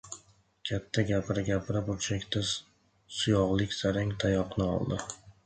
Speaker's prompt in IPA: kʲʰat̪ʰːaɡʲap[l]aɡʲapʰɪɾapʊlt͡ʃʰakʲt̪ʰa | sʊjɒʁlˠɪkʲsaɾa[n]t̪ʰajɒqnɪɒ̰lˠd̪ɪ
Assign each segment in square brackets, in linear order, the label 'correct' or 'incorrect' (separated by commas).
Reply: incorrect, incorrect